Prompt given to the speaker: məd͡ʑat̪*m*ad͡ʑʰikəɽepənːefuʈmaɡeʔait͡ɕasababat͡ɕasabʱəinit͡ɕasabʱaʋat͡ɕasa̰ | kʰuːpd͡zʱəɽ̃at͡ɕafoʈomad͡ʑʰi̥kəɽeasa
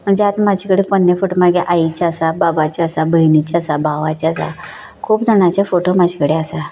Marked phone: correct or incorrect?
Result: correct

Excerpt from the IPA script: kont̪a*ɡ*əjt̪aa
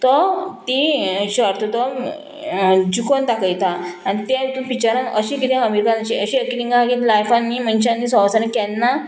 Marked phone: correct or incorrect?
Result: incorrect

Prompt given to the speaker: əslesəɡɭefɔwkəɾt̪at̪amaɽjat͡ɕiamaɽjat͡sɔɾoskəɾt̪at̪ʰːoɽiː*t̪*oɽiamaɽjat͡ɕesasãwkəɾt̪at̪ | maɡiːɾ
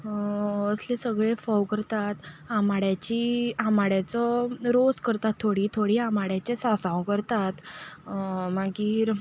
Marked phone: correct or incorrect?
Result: incorrect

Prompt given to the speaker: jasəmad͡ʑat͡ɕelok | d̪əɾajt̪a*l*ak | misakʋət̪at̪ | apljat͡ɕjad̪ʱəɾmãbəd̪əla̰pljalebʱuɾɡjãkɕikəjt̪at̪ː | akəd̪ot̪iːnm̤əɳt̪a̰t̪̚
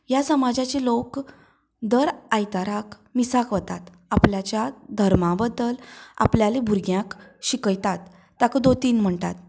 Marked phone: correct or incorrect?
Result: incorrect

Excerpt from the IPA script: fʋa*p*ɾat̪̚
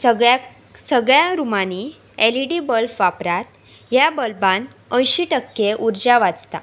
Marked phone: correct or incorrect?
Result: correct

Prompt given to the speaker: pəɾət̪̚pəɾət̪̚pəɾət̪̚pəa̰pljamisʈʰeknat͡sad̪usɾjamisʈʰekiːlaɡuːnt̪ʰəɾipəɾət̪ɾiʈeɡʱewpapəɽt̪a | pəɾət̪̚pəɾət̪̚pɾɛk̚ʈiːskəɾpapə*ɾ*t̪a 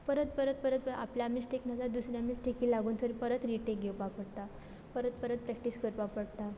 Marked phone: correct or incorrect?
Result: incorrect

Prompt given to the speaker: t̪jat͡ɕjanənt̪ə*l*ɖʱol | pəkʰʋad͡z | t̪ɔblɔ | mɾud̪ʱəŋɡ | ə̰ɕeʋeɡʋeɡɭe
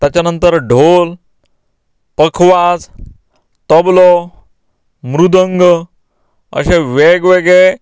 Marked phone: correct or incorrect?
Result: incorrect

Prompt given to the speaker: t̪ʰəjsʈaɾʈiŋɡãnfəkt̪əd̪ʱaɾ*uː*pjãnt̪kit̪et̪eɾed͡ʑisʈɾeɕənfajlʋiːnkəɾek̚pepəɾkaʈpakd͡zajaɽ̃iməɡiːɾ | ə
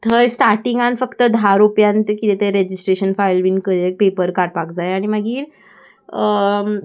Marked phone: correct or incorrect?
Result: incorrect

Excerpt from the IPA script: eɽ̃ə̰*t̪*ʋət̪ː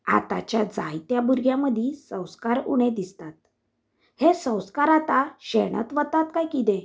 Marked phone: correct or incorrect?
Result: correct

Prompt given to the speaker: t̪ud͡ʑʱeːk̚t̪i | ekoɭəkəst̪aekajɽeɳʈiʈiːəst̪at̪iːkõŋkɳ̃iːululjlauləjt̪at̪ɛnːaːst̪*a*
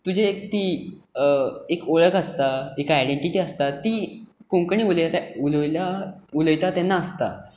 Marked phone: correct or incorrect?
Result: correct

